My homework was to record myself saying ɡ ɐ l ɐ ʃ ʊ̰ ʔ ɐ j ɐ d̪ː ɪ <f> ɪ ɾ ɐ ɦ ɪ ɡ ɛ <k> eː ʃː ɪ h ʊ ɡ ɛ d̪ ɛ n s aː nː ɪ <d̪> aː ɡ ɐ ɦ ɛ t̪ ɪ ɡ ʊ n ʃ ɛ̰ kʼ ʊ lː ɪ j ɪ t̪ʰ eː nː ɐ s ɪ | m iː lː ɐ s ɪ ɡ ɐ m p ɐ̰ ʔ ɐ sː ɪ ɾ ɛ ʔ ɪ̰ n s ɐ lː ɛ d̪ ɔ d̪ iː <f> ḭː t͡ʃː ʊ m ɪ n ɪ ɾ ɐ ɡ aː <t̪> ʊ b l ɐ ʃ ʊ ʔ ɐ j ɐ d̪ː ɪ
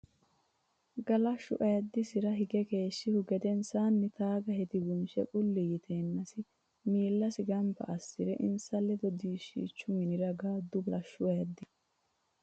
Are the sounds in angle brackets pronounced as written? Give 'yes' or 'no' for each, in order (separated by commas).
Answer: no, yes, no, no, no